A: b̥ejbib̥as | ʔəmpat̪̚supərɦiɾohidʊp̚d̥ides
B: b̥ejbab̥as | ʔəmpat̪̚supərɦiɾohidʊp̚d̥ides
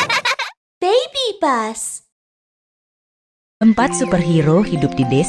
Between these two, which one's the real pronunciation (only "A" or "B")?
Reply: A